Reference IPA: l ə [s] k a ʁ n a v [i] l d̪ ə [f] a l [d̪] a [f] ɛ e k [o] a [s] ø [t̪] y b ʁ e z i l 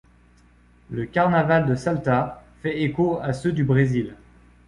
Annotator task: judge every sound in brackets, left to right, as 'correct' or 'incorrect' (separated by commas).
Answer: incorrect, incorrect, incorrect, incorrect, correct, correct, correct, incorrect